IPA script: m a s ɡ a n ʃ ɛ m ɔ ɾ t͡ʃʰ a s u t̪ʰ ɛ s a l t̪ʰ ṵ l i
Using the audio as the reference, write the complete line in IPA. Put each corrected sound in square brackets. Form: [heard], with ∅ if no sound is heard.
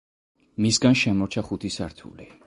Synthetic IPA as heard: m [i] s ɡ a n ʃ ɛ m ɔ ɾ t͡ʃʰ a [χ] u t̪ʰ [i] s a [ɾ] t̪ʰ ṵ l i